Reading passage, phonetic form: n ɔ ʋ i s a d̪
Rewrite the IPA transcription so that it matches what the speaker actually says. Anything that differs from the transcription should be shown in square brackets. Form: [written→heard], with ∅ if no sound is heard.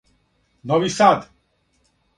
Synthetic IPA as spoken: n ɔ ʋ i s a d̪